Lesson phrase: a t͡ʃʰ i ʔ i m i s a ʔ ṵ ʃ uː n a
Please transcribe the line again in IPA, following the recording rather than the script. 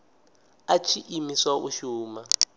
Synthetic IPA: a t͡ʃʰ i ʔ i m i s a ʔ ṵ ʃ uː m a